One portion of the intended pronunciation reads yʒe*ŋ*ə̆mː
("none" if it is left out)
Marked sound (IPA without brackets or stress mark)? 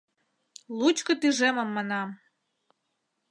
m